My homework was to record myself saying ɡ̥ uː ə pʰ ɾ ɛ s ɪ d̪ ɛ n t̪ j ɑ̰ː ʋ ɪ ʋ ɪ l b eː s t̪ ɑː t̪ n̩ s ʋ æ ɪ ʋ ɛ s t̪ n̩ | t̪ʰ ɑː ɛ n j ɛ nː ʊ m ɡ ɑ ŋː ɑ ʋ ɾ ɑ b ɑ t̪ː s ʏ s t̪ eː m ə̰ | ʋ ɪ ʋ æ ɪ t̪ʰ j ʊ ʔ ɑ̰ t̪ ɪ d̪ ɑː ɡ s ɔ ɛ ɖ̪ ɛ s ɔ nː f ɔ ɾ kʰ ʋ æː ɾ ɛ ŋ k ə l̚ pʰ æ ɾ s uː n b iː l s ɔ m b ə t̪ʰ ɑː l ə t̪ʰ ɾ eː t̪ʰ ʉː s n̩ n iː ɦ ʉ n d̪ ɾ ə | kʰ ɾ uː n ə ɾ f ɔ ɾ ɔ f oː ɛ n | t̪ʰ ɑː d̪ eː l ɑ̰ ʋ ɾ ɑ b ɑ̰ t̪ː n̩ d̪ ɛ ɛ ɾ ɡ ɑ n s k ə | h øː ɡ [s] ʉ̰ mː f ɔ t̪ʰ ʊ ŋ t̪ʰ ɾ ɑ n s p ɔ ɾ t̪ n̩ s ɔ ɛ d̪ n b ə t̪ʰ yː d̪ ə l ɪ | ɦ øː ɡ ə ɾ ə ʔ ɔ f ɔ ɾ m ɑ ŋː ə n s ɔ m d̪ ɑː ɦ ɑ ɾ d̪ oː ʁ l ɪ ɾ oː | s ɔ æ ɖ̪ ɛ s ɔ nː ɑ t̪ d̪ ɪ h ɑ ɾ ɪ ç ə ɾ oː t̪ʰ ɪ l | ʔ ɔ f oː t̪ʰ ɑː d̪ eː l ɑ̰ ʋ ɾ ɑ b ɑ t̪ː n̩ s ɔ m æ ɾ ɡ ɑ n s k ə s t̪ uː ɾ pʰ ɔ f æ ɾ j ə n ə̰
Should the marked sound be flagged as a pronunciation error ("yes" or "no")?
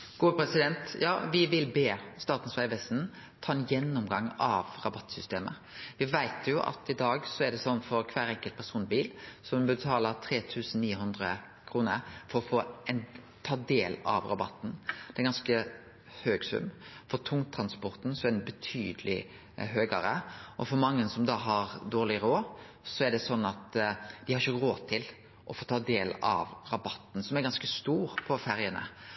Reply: no